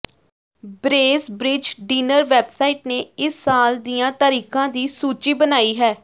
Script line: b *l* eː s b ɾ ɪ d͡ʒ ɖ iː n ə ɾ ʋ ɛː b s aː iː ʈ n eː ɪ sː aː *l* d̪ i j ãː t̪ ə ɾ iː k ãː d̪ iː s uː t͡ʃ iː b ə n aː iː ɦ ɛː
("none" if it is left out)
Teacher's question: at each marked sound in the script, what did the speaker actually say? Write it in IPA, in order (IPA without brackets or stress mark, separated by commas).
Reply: ɾ, l